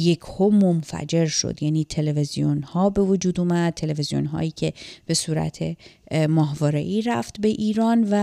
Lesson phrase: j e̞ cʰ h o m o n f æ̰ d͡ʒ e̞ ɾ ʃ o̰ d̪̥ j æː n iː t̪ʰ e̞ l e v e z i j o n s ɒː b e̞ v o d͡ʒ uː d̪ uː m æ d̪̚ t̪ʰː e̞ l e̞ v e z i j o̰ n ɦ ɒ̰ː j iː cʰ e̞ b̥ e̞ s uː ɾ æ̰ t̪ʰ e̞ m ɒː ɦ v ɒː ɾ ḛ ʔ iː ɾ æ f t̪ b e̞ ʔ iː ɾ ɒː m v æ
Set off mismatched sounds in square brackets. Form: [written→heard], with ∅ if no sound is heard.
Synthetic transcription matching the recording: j e̞ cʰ h o m o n f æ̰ d͡ʒ e̞ ɾ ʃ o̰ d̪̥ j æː n iː t̪ʰ e̞ l e v e z i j o n [s→h] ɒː b e̞ v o d͡ʒ uː d̪ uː m æ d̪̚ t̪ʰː e̞ l e̞ v e z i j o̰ n ɦ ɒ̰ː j iː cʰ e̞ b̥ e̞ s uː ɾ æ̰ t̪ʰ e̞ m ɒː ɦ v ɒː ɾ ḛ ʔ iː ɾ æ f t̪ b e̞ ʔ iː ɾ ɒː [m→n] v æ